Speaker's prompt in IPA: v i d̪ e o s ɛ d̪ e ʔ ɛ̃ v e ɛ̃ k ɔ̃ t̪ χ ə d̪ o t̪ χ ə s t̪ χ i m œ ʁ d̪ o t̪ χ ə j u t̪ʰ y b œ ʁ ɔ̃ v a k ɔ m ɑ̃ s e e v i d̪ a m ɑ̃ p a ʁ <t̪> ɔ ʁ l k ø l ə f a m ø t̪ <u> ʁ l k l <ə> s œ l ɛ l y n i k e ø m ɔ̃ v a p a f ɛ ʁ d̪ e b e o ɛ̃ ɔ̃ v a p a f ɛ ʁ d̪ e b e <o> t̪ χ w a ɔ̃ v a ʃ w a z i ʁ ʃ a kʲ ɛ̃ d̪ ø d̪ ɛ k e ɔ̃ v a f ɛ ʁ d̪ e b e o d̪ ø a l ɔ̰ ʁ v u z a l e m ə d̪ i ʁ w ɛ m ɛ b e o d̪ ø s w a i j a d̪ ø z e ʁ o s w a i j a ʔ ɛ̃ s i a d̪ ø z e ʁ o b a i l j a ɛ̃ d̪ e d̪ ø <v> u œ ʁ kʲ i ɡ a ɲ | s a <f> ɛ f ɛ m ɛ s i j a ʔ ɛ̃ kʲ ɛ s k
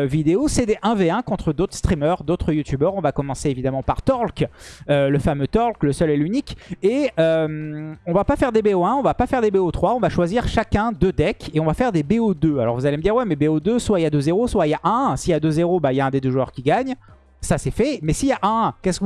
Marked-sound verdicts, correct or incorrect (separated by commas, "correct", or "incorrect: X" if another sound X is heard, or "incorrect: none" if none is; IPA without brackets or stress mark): correct, incorrect: ɔ, correct, correct, incorrect: ʒ, incorrect: s